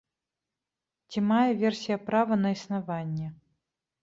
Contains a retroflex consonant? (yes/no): no